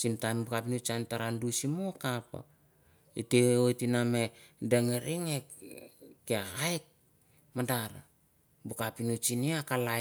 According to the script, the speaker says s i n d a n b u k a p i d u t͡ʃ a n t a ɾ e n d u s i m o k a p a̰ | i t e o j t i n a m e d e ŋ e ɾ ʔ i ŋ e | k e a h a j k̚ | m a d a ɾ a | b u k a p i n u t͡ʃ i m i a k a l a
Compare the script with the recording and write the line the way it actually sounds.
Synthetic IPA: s i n t a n b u k a p i n u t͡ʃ a n t a ɾ a n d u s i m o k a p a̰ | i t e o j t i n a m e d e ŋ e ɾ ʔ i ŋ e | k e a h a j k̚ | m a d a ɾ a | b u k a p i n u t͡ʃ i n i a k a l a